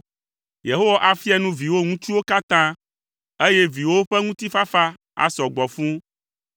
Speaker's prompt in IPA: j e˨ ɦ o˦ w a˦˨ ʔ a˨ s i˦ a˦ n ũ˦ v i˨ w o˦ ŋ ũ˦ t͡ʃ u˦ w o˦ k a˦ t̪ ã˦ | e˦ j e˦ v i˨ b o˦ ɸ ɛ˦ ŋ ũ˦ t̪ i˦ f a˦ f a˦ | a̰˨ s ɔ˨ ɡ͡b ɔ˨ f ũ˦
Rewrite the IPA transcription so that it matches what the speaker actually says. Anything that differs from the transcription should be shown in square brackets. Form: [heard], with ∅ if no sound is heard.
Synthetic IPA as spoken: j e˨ ɦ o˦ w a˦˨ ʔ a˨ [f] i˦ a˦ n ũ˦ v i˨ w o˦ ŋ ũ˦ t͡ʃ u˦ w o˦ k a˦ t̪ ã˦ | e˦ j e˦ v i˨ [w] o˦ ɸ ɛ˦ ŋ ũ˦ t̪ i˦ f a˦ f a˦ | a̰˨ s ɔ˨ ɡ͡b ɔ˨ f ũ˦